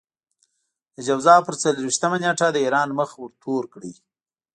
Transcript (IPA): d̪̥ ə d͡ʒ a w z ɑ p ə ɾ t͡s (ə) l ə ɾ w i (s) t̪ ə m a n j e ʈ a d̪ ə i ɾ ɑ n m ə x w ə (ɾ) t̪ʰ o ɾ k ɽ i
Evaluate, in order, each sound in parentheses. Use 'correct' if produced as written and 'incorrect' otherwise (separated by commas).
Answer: incorrect, incorrect, correct